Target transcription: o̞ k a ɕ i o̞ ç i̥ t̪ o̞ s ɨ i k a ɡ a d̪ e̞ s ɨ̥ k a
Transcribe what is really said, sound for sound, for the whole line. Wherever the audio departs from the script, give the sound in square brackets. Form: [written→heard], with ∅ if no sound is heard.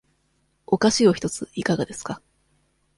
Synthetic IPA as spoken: o̞ k a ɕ i o̞ ç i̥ t̪ o̞ [s→t͡s] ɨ i k a ɡ a d̪ e̞ s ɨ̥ k a